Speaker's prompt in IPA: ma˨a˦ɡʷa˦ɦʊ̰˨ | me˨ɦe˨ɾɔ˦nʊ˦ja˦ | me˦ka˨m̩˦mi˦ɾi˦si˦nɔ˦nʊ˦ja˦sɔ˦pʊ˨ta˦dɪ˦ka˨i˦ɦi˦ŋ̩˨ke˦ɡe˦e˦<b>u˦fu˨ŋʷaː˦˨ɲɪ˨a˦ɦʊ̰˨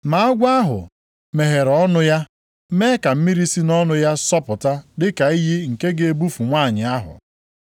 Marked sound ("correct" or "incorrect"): correct